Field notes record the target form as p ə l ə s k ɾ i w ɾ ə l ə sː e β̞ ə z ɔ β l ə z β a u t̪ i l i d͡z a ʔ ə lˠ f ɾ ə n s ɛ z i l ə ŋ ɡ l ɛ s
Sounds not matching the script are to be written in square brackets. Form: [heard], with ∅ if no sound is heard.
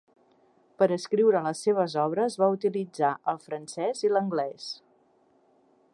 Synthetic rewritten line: p ə [ɾ] ə s k ɾ i w ɾ ə l ə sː e β̞ ə z ɔ β [ɾ] ə z β a u t̪ i l i d͡z a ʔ ə lˠ f ɾ ə n s ɛ z i l ə ŋ ɡ l ɛ s